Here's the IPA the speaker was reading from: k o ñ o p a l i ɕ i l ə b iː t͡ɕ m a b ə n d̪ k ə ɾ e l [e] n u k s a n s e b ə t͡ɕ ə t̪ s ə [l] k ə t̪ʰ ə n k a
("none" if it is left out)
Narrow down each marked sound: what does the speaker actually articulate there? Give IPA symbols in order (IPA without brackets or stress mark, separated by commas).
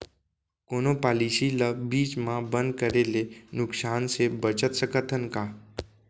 e, none